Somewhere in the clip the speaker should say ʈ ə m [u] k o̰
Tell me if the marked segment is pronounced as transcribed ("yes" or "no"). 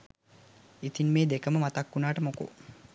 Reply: no